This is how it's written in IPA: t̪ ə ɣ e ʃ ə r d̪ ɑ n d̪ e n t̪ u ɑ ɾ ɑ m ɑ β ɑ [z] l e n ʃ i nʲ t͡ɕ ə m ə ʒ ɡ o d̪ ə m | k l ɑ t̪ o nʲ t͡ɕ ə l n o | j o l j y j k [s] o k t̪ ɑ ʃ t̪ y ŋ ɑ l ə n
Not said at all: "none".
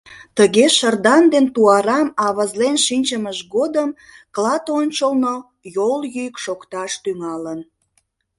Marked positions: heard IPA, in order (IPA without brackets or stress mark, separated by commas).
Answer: z, ʃ